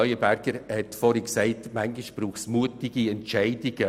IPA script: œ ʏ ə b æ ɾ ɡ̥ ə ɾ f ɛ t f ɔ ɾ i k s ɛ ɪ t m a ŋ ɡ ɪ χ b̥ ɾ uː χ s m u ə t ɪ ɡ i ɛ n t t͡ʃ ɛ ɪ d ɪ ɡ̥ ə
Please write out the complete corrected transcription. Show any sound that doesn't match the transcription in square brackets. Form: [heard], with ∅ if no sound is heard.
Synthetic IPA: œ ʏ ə b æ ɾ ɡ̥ ə ɾ [h] ɛ t f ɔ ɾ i k s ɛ ɪ t m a ŋ ɡ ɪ [ʃ] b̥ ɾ uː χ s m u ə t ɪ ɡ i ɛ n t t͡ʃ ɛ ɪ d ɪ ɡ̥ ə